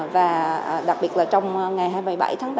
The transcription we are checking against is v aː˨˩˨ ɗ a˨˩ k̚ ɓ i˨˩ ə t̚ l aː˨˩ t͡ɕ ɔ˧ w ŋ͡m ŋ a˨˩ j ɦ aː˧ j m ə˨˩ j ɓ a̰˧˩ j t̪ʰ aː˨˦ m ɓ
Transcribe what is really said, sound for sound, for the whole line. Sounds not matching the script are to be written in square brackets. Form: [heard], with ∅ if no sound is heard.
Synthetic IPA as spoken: v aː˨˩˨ ɗ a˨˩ k̚ ɓ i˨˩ ə t̚ l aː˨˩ t͡ɕ ɔ˧ w ŋ͡m ŋ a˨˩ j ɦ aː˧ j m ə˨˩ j ɓ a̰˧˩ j t̪ʰ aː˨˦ [ŋ] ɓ